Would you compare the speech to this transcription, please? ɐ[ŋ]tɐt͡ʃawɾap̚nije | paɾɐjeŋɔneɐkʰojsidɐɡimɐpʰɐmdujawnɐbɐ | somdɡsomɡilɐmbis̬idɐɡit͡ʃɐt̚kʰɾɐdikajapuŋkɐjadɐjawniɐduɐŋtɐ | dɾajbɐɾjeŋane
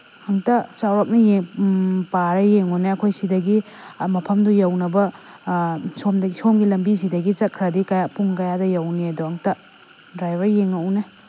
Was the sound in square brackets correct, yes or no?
yes